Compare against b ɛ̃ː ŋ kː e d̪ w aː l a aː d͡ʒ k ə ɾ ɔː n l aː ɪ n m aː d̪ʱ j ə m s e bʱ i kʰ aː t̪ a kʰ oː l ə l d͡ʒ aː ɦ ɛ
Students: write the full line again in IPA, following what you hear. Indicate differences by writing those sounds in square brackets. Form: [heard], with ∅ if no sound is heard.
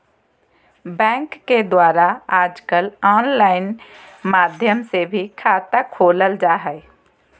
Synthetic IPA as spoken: b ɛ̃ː ŋ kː e d̪ w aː [ɾ] a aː d͡ʒ k ə [l] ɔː n l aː ɪ n m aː d̪ʱ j ə m s e bʱ i kʰ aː t̪ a kʰ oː l ə l d͡ʒ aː ɦ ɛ

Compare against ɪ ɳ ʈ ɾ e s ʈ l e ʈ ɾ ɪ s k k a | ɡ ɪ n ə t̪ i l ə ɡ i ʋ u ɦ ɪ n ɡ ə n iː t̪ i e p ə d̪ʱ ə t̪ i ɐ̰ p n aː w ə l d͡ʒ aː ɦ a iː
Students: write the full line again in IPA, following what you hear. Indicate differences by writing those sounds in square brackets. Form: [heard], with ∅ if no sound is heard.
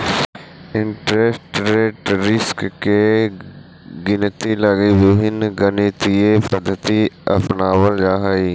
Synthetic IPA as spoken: ɪ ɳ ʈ ɾ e s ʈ [ɾ] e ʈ ɾ ɪ s k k [e] | ɡ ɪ n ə t̪ i l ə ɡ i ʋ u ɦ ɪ n ɡ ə n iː t̪ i e p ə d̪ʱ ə t̪ i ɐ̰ p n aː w ə l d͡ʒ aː ɦ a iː

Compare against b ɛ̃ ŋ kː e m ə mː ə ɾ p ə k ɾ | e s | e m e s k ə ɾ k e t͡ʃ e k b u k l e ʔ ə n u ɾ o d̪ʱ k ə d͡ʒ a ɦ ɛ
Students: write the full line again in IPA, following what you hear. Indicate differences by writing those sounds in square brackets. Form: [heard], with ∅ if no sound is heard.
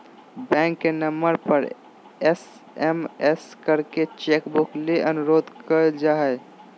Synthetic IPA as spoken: b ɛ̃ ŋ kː e [n] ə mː ə ɾ p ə [∅] ɾ | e s | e m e s k ə ɾ k e t͡ʃ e k b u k l e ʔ ə n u ɾ o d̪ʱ k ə d͡ʒ a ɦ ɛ

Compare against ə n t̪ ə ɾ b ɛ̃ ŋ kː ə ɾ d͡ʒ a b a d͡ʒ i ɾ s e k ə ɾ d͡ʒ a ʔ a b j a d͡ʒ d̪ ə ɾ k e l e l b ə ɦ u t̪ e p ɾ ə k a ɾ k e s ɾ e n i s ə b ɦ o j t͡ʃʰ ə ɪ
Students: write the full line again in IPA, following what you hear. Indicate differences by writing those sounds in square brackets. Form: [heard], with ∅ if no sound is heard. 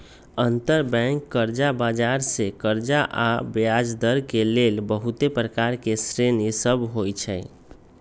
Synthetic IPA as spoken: ə n t̪ ə ɾ b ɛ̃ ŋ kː ə ɾ d͡ʒ a b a d͡ʒ [a] ɾ s e k ə ɾ d͡ʒ a ʔ a b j a d͡ʒ d̪ ə ɾ k e l e l b ə ɦ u t̪ e p ɾ ə k a ɾ k e s ɾ e n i s ə b ɦ o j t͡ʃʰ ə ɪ

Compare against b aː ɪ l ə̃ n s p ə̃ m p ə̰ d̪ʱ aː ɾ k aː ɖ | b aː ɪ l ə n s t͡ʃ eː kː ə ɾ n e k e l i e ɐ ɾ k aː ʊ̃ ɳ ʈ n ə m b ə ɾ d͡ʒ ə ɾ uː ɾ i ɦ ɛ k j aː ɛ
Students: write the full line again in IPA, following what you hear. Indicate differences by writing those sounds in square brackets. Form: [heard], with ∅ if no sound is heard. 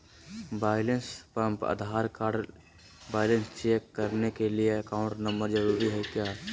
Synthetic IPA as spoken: b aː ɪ l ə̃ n s p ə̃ m p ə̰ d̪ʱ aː ɾ k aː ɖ | b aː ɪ l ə n s t͡ʃ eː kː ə ɾ n e k e l i e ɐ [∅] k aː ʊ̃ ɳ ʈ n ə m b ə ɾ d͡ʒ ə ɾ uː ɾ i ɦ ɛ k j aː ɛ

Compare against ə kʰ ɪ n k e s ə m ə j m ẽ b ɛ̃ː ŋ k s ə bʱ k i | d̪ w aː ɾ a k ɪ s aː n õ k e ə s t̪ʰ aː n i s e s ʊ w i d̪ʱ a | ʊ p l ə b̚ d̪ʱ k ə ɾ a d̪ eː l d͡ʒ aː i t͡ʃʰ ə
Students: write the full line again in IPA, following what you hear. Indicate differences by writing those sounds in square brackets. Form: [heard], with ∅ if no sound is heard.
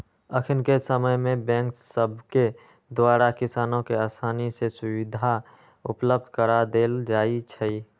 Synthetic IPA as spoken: ə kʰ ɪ n k e s ə m ə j m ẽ b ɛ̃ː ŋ k s ə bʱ k [e] | d̪ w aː ɾ a k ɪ s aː n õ k e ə s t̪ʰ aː n i s e s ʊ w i d̪ʱ a | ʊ p l ə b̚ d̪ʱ k ə ɾ a d̪ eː l d͡ʒ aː i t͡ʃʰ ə

